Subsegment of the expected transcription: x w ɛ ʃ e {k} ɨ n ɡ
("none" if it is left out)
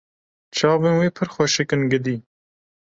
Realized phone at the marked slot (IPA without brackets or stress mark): k